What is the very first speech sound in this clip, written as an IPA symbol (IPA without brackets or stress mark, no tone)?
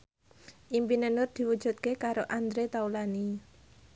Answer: ʔ